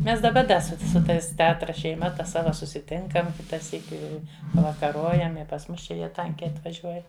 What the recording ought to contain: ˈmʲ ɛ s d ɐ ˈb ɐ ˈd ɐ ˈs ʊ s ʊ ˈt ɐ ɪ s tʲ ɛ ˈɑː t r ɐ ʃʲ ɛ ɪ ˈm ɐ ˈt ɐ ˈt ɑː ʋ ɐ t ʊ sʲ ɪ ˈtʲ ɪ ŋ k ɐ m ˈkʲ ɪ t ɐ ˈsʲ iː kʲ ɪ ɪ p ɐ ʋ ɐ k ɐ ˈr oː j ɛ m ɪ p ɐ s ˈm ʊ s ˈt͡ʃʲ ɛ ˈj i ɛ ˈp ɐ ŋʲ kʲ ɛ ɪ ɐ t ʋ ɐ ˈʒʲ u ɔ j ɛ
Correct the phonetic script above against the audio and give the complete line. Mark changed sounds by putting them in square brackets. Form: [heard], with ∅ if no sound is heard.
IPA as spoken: ˈmʲ ɛ s d ɐ ˈb ɐ ˈd ɐ ˈs ʊ s ʊ ˈt ɐ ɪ s tʲ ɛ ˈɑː t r ɐ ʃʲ ɛ ɪ ˈm ɐ ˈt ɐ [ˈs] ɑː ʋ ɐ [s] ʊ sʲ ɪ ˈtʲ ɪ ŋ k ɐ m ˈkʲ ɪ t ɐ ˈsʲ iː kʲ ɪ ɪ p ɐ ʋ ɐ k ɐ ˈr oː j ɛ m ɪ p ɐ s ˈm ʊ s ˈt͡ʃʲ ɛ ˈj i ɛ [ˈt] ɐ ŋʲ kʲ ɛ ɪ ɐ t ʋ ɐ ˈʒʲ u ɔ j ɛ